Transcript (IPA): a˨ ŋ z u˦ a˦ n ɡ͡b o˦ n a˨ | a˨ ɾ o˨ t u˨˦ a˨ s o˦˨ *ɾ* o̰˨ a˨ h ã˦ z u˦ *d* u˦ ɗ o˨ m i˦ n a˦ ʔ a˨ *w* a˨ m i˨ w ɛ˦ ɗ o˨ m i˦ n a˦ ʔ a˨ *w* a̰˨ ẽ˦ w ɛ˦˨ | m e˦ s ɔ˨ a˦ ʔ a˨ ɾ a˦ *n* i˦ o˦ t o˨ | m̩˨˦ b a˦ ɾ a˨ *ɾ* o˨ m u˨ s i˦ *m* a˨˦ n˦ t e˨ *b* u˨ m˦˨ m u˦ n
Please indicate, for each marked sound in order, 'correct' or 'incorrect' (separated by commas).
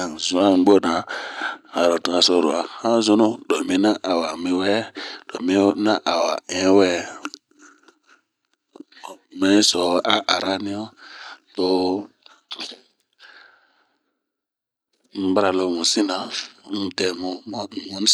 correct, incorrect, correct, correct, correct, incorrect, incorrect, incorrect